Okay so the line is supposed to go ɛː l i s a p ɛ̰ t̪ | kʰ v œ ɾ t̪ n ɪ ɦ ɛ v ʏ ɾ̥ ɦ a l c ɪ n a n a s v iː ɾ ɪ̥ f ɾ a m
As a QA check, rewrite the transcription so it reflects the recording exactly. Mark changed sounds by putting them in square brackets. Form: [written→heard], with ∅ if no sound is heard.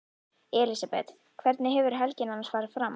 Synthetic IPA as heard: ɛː l i s a p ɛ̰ t̪ | kʰ v [œ→ɛ] ɾ t̪ n ɪ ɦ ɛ v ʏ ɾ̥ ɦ [a→ɛ] l c ɪ n a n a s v [iː→aː] ɾ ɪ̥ f ɾ a m